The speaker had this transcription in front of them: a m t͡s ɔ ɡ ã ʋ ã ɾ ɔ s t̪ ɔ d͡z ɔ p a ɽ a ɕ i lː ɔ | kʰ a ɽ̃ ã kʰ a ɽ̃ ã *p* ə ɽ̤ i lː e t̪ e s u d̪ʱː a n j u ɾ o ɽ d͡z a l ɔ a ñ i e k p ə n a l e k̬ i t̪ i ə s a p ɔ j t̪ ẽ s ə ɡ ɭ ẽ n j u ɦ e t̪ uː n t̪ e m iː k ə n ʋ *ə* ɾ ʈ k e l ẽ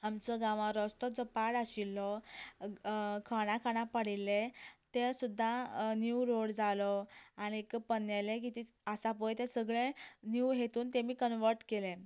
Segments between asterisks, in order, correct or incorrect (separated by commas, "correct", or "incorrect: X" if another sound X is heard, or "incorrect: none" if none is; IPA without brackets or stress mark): correct, correct